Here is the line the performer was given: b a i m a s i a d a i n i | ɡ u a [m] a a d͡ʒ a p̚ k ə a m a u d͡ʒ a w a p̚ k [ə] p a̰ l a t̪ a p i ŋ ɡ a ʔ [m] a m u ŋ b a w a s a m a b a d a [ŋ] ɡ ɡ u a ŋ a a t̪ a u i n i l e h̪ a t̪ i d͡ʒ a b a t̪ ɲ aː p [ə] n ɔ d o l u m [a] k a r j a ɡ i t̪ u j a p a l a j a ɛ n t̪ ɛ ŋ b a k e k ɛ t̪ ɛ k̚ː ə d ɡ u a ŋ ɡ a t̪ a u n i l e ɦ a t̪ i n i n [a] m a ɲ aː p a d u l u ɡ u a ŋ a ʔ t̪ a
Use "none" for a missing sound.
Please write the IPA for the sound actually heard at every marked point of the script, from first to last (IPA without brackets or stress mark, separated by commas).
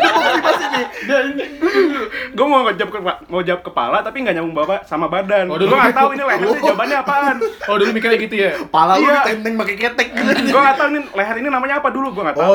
m, ə, ɲ, n, a, i, a